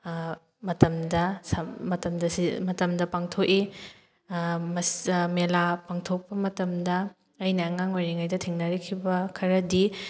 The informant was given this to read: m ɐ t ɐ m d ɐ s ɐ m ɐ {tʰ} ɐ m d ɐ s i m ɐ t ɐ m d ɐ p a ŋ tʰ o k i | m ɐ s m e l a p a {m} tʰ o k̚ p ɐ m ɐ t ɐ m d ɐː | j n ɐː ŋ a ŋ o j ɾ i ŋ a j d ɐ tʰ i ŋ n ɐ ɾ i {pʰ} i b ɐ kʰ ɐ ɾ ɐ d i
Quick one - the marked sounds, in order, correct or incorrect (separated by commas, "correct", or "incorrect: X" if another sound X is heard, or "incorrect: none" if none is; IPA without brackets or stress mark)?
incorrect: t, incorrect: ŋ, incorrect: kʰ